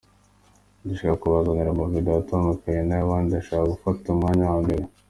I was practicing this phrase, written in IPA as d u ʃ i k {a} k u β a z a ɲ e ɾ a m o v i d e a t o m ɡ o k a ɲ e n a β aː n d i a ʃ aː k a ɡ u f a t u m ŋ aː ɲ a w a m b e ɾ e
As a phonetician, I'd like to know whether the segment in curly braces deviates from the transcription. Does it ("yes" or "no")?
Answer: no